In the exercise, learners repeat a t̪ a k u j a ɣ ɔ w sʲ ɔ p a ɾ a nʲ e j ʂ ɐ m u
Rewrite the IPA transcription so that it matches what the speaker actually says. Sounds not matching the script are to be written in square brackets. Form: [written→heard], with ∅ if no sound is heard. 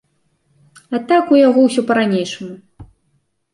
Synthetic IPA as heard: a t̪ a k u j a ɣ ɔ w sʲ ɔ p [a→ɐ] ɾ a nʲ e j ʂ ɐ m u